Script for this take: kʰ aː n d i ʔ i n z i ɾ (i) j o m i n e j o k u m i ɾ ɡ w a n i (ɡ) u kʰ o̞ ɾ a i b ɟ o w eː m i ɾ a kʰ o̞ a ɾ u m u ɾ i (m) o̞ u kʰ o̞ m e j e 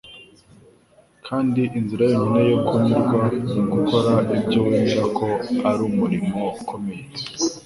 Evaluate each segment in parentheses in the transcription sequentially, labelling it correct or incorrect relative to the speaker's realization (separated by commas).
incorrect, correct, correct